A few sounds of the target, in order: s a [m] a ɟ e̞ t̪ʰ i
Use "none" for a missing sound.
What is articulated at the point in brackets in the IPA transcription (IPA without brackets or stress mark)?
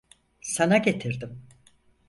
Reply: n